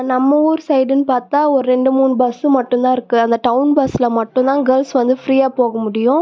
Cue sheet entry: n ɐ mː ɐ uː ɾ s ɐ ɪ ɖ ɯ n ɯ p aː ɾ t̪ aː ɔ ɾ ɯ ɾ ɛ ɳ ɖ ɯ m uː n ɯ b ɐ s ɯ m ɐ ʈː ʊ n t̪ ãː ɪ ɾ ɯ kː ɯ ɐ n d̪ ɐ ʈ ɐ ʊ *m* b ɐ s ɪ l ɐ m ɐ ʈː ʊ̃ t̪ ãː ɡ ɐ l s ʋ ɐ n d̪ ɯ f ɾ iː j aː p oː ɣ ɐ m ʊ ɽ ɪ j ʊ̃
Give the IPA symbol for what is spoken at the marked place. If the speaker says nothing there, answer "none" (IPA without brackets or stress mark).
n